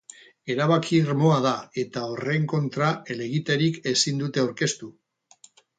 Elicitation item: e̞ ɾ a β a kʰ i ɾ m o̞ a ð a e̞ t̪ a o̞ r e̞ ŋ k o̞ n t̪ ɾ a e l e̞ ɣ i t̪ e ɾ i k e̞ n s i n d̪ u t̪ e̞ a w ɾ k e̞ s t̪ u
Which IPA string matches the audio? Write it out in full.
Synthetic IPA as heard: e̞ ɾ a β a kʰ i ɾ m o̞ a ð a e̞ t̪ a o̞ r e̞ ŋ k o̞ n t̪ ɾ a e l e̞ ɣ i t̪ e ɾ i k e̞ s i n d̪ u t̪ e̞ a w ɾ k e̞ s t̪ u